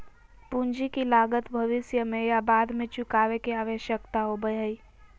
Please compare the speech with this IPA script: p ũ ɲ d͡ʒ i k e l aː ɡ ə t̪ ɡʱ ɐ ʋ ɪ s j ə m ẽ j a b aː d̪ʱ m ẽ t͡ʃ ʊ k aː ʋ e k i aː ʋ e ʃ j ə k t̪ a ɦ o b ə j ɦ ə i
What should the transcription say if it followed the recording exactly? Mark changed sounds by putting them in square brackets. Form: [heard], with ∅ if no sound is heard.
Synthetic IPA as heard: p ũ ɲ d͡ʒ i k [i] l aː ɡ ə t̪ [bʱ] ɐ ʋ ɪ s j ə m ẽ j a b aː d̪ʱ m ẽ t͡ʃ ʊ k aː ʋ e k i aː ʋ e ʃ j ə k t̪ a ɦ o b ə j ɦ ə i